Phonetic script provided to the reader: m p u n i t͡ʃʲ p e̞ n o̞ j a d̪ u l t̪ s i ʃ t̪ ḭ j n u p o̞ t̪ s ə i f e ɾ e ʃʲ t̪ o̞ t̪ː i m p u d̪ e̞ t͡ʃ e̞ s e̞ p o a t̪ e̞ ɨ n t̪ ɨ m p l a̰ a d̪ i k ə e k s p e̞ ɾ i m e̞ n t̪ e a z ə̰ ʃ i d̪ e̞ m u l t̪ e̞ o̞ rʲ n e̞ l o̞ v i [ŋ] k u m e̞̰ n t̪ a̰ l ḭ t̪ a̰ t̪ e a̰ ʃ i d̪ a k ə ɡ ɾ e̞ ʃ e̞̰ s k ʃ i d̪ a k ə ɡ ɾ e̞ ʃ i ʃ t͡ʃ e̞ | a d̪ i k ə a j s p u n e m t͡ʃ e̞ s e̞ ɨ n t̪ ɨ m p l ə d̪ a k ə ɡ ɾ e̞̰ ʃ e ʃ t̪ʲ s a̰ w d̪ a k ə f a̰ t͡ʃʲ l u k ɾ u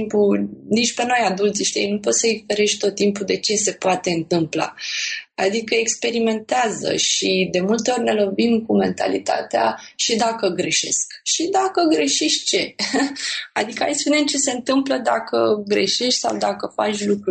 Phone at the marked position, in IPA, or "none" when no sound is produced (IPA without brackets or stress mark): m